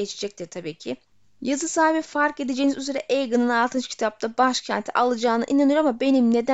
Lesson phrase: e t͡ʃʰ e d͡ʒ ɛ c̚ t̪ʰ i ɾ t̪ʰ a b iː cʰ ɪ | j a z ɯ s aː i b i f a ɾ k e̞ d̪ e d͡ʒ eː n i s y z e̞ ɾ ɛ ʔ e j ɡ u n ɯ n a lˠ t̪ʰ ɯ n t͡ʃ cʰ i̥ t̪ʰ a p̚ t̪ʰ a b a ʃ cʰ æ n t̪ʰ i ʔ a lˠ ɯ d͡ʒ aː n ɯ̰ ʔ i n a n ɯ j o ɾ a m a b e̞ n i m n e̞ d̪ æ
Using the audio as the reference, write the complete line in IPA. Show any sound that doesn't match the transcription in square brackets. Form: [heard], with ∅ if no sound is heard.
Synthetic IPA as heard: e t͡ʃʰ e d͡ʒ ɛ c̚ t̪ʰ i ɾ t̪ʰ a b iː cʰ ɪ | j a z ɯ s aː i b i f a ɾ k e̞ d̪ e d͡ʒ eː n i [z] y z e̞ ɾ ɛ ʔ e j ɡ [ɯ] n ɯ n a lˠ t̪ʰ ɯ n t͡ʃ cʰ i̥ t̪ʰ a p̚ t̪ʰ a b a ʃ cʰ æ n t̪ʰ i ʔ a lˠ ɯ d͡ʒ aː n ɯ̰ ʔ i n a n ɯ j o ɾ a m a b e̞ n i m n e̞ d̪ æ